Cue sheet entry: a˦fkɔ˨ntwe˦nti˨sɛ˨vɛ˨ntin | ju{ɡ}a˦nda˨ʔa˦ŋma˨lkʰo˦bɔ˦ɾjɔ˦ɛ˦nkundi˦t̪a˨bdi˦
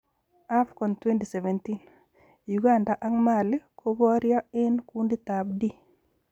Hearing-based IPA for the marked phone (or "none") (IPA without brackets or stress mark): ɡ